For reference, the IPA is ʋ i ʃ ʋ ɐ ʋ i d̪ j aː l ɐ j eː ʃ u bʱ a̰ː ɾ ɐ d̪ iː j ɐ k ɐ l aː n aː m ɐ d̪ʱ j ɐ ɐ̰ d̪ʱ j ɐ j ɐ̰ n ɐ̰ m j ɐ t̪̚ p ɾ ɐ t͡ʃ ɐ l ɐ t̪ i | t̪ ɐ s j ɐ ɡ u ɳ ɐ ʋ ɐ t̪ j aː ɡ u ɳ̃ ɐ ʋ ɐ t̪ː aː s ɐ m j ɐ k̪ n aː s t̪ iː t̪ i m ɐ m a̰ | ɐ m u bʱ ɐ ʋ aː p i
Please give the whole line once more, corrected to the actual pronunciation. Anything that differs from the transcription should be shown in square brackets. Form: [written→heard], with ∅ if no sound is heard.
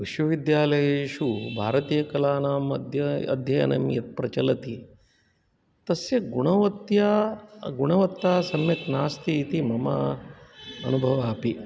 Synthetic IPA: ʋ i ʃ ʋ ɐ ʋ i d̪ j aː l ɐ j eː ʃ u bʱ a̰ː ɾ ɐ [d̪→t̪] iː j ɐ k ɐ l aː n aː m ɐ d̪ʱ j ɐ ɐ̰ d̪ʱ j ɐ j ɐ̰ n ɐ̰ m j ɐ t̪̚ p ɾ ɐ t͡ʃ ɐ l ɐ t̪ i | t̪ ɐ s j ɐ ɡ u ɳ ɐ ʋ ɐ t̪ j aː ɡ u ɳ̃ ɐ ʋ ɐ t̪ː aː s ɐ m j ɐ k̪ n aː s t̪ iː t̪ i m ɐ m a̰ | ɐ [m→n] u bʱ ɐ ʋ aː p i